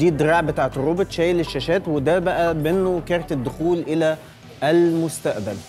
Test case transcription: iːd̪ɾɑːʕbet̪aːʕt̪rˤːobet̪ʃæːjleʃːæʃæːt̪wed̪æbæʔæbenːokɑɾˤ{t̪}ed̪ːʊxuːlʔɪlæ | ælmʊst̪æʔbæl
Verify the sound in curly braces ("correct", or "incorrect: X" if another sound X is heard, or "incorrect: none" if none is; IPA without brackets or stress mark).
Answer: correct